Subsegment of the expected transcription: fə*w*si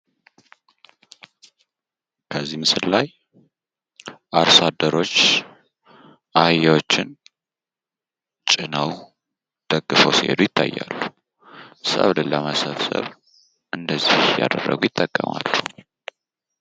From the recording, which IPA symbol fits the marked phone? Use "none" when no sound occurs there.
w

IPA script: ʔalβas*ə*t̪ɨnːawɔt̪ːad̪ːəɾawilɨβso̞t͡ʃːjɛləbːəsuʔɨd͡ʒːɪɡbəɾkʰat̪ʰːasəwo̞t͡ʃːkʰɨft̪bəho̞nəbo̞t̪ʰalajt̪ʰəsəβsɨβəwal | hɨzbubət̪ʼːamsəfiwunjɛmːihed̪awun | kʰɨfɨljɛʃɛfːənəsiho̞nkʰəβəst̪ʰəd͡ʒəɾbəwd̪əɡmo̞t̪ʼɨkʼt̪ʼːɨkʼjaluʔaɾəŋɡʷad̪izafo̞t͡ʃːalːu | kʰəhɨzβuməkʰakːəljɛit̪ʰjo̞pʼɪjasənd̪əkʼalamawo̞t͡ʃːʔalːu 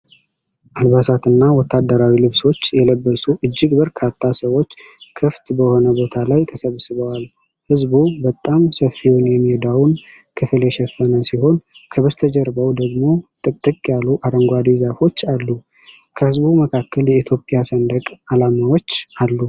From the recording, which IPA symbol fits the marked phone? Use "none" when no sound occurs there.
a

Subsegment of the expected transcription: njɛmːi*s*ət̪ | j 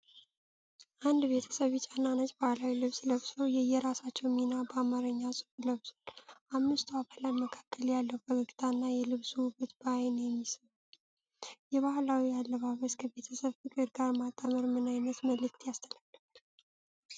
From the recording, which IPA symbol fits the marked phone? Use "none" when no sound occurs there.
s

